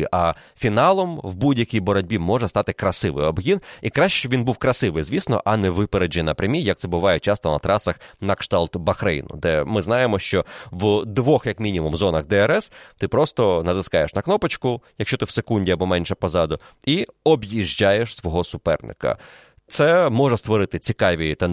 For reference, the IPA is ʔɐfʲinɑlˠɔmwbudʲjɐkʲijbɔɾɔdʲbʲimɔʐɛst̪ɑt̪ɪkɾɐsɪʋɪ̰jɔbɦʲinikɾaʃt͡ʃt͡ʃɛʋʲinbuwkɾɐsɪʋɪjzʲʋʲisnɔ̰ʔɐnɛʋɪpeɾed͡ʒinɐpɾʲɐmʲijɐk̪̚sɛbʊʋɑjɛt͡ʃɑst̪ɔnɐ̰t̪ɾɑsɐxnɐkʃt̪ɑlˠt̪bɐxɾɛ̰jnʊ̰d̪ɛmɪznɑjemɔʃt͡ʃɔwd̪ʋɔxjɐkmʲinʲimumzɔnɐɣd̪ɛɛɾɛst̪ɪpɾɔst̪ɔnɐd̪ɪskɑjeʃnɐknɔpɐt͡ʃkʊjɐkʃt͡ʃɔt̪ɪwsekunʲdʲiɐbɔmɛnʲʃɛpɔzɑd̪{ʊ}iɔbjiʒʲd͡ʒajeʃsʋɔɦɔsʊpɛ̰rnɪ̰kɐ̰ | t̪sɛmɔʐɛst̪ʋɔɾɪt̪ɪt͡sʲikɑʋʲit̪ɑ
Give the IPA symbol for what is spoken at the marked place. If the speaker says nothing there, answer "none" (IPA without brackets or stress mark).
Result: ʊ